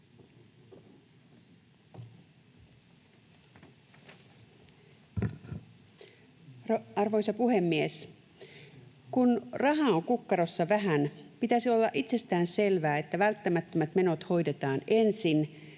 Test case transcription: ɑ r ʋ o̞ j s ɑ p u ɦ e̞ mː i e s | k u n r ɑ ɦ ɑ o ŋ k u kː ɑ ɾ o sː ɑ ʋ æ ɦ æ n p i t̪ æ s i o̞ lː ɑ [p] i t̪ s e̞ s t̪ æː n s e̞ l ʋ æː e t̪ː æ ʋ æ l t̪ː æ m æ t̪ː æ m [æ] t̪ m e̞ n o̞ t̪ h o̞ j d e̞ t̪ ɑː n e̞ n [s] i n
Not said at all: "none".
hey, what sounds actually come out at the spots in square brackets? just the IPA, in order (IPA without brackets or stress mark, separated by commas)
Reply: ʔ, æ, s